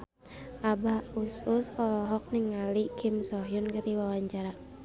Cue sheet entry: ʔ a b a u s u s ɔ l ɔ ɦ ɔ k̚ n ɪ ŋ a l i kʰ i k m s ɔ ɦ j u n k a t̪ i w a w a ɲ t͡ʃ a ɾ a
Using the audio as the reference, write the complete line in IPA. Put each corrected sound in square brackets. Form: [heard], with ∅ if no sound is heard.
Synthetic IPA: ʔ a b a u s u s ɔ l ɔ ɦ ɔ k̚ n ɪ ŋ a l i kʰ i [∅] m s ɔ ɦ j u n k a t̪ i w a w a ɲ t͡ʃ a ɾ a